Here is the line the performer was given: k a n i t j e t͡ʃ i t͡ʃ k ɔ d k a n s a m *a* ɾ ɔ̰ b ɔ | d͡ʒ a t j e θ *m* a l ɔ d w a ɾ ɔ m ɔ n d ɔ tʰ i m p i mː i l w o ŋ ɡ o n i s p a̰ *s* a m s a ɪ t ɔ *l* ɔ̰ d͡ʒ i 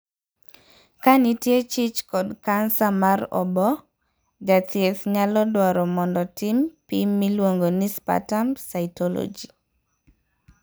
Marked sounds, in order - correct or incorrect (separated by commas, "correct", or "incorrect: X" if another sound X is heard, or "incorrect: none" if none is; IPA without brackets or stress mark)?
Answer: correct, incorrect: ɲ, incorrect: t, correct